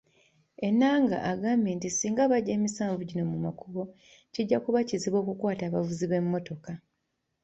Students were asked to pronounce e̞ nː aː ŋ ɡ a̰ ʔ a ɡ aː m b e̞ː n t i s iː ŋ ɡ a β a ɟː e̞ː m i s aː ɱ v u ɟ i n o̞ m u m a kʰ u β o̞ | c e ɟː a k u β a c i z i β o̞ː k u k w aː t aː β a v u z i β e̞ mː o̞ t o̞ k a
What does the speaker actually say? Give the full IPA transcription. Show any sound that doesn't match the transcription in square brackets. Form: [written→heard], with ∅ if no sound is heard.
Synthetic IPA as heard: e̞ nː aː ŋ ɡ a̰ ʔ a ɡ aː m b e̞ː n t i s iː ŋ ɡ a β a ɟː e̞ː m i s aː ɱ v u ɟ i n o̞ m u m a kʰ u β o̞ | c [e→i] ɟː a k u β a c i z i β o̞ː k u k w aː t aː β a v u z i β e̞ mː o̞ t o̞ k a